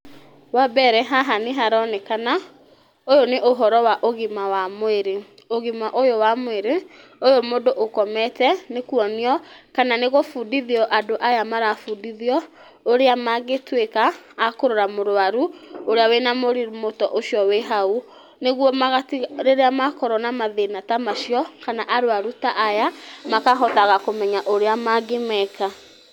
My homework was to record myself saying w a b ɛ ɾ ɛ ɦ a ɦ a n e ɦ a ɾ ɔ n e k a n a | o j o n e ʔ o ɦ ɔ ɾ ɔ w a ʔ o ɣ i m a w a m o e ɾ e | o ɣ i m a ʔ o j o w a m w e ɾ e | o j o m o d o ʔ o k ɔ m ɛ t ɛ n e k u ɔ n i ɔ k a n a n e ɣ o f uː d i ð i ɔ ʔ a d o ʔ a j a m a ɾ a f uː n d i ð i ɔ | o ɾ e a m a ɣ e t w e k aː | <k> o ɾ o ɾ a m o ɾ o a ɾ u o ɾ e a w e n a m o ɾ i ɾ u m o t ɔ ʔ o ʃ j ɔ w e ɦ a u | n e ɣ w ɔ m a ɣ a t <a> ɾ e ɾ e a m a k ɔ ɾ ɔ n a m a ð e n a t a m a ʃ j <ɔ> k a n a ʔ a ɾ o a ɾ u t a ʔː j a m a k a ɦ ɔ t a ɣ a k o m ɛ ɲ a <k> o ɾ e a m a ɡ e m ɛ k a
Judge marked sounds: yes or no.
yes, no, yes, no

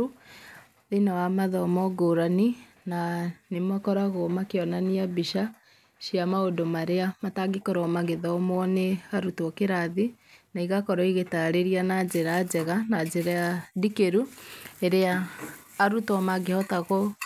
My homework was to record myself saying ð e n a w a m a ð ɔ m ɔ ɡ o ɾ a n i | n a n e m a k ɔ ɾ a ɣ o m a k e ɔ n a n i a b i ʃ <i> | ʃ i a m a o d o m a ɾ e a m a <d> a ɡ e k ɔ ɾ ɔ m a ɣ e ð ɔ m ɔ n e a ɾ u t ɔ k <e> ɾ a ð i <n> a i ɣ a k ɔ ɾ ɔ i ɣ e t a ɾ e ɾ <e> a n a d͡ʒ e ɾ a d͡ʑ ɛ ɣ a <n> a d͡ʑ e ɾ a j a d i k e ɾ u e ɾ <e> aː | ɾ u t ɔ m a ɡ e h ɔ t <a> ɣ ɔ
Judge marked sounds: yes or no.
no, no, yes, yes, no, yes, yes, yes

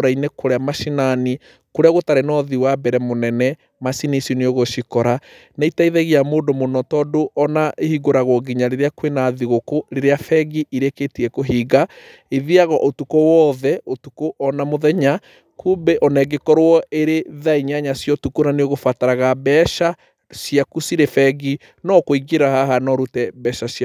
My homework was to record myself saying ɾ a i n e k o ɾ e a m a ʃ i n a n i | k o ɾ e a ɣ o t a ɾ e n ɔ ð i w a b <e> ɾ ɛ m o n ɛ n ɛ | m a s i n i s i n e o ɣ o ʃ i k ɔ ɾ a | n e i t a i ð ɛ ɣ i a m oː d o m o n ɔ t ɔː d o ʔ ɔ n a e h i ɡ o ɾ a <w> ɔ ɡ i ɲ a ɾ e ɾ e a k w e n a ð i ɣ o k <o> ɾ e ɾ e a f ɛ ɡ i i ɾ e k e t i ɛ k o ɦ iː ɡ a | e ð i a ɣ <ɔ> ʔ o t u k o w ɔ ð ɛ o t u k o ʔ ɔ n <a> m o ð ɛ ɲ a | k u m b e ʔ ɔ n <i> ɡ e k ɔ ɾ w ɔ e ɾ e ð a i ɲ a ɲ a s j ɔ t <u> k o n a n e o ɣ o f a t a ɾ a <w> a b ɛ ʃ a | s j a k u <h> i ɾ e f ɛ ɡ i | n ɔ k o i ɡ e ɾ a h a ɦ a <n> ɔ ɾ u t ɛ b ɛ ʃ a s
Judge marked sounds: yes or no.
no, no, yes, yes, yes, no, yes, no, no, yes

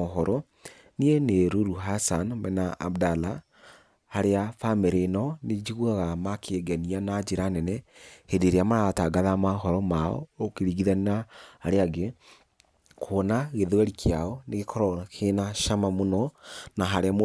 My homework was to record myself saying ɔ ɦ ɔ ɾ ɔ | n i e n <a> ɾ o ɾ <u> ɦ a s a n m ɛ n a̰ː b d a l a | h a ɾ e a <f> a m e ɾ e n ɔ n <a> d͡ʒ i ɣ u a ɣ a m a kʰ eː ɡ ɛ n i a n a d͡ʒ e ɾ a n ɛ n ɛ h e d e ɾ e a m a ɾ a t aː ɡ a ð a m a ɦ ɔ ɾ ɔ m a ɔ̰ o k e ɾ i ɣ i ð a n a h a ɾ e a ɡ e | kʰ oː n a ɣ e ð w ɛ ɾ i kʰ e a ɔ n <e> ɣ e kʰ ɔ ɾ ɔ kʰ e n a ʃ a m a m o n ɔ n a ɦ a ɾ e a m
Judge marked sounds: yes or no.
no, yes, yes, no, yes

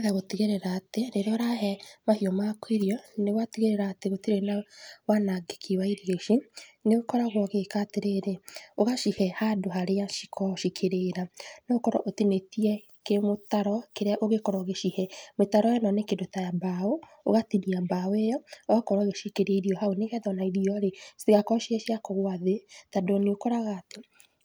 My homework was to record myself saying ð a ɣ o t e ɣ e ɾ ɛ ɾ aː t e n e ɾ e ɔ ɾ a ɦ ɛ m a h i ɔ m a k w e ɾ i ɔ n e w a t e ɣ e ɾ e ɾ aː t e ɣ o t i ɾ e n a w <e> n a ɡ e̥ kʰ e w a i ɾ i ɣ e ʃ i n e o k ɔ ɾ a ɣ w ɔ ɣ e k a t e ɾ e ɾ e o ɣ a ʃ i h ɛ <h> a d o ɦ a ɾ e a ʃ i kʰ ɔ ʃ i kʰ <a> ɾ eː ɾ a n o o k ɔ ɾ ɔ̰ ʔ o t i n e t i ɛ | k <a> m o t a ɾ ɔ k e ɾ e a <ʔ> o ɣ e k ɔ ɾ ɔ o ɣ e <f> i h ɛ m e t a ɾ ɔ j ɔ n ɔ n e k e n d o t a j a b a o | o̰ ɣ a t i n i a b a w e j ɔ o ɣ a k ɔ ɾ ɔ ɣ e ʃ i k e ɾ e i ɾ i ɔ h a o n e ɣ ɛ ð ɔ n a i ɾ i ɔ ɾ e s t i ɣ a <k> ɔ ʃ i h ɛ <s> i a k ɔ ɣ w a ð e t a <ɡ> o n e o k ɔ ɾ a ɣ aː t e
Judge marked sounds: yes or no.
no, yes, no, no, yes, no, yes, no, no

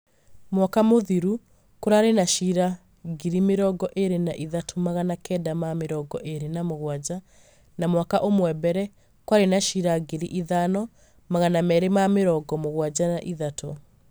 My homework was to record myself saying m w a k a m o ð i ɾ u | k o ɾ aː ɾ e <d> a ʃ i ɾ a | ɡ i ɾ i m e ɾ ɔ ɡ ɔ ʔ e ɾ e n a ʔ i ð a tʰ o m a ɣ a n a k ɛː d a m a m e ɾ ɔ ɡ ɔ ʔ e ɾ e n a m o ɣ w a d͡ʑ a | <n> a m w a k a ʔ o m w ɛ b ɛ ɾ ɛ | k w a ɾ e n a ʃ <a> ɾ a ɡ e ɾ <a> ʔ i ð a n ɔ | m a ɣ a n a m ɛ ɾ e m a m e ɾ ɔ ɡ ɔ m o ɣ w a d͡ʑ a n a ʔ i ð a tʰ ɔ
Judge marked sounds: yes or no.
no, yes, no, no

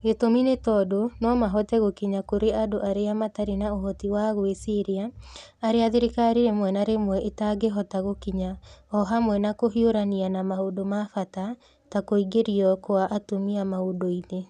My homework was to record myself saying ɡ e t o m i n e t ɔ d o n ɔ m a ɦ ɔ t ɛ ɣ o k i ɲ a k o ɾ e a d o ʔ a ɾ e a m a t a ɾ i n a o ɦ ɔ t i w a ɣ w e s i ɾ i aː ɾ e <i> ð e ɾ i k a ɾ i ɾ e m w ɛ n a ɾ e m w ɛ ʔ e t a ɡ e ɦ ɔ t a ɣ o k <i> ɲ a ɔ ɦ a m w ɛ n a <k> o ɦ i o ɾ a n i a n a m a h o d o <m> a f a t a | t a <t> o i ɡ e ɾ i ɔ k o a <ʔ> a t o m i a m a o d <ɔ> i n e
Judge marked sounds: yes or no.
no, yes, yes, yes, no, yes, no

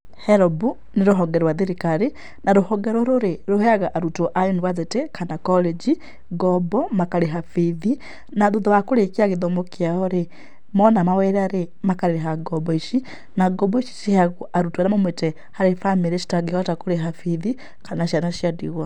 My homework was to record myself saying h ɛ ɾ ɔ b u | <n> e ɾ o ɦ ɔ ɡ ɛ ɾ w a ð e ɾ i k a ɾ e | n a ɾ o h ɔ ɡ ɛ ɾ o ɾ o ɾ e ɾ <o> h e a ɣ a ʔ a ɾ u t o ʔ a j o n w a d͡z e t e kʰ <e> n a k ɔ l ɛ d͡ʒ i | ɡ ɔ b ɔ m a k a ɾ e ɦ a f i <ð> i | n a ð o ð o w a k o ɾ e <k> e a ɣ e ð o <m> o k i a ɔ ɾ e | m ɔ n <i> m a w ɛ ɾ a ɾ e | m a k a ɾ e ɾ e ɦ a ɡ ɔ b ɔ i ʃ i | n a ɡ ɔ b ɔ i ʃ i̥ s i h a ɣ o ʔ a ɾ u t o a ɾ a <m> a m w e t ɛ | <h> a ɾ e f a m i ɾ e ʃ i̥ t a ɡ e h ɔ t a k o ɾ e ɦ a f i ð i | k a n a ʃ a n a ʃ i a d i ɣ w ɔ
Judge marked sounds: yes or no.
yes, yes, no, yes, yes, yes, no, yes, yes

